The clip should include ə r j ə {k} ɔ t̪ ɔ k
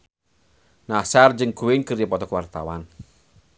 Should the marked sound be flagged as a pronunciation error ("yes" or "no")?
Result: yes